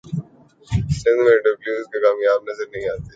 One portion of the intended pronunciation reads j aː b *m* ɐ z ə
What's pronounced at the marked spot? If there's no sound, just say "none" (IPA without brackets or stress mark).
n